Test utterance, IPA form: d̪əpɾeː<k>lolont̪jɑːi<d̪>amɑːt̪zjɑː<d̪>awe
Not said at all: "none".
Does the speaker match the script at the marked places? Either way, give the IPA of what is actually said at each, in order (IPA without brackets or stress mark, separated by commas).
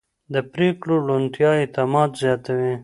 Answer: k, t̪, t̪